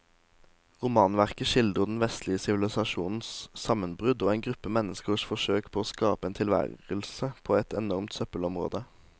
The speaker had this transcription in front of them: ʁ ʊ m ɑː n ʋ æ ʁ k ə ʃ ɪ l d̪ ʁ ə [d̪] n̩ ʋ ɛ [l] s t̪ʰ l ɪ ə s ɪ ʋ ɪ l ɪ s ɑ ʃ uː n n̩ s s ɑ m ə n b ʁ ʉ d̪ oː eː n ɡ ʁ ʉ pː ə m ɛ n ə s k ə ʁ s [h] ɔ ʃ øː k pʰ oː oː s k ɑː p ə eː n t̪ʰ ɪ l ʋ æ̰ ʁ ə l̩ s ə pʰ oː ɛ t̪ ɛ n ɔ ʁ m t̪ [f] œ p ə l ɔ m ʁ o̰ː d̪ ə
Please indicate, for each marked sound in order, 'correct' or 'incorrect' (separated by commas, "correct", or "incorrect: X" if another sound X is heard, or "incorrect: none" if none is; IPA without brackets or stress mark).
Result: correct, incorrect: none, incorrect: f, incorrect: s